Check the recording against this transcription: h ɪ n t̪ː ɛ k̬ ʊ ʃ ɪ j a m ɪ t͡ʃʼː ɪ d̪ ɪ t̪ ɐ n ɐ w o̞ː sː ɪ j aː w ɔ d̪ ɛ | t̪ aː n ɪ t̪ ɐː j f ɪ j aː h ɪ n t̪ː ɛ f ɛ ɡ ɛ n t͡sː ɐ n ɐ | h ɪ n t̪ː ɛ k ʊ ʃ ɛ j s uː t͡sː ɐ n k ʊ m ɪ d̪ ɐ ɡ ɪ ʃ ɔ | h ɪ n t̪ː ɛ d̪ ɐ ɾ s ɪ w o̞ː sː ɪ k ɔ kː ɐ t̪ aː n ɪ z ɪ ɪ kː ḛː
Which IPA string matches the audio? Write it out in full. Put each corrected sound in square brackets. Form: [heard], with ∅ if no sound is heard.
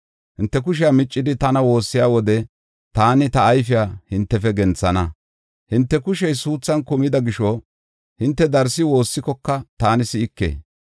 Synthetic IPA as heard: h ɪ n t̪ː ɛ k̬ ʊ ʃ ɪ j a m ɪ t͡ʃʼː ɪ d̪ ɪ t̪ ɐ n ɐ w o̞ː sː ɪ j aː w ɔ d̪ ɛ | t̪ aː n ɪ t̪ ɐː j f ɪ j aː h ɪ n t̪ː ɛ f ɛ ɡ ɛ n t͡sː ɐ n ɐ | h ɪ n t̪ː ɛ k ʊ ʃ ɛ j s uː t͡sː ɐ n k ʊ m ɪ d̪ ɐ ɡ ɪ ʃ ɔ | h ɪ n t̪ː ɛ d̪ ɐ ɾ s ɪ w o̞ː sː ɪ k ɔ kː ɐ t̪ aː n ɪ [s] ɪ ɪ kː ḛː